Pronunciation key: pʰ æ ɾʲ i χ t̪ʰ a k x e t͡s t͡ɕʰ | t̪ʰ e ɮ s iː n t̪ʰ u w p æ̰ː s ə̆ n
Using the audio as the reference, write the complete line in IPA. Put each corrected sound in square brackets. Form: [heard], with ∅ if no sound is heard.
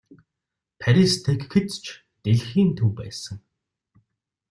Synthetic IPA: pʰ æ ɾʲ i [s] t̪ʰ [e] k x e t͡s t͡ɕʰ | [t̪] e ɮ [x] iː n t̪ʰ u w p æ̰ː s ə̆ [ŋ]